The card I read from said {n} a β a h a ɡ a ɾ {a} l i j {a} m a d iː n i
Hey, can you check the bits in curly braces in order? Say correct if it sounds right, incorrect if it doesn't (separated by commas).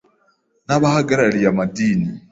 correct, correct, correct